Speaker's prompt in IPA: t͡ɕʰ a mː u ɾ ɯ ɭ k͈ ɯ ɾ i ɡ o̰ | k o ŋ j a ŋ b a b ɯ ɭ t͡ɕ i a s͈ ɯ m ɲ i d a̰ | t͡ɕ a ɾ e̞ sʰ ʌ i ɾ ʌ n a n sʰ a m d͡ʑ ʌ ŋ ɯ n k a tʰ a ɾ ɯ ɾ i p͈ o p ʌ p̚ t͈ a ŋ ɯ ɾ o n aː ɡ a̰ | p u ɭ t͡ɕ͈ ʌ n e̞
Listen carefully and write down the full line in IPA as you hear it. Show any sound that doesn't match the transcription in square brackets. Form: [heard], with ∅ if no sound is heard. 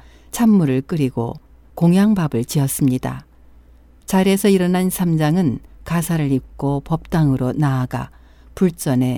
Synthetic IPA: t͡ɕʰ a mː u ɾ ɯ ɭ k͈ ɯ ɾ i ɡ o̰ | k o ŋ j a ŋ b a b ɯ ɭ t͡ɕ i [ʌ] s͈ ɯ m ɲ i d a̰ | t͡ɕ a ɾ e̞ sʰ ʌ i ɾ ʌ n a n sʰ a m d͡ʑ [a] ŋ ɯ n k a [sʰ] a ɾ ɯ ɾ i [k͈] o p ʌ p̚ t͈ a ŋ ɯ ɾ o n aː ɡ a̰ | p u ɭ t͡ɕ͈ ʌ n e̞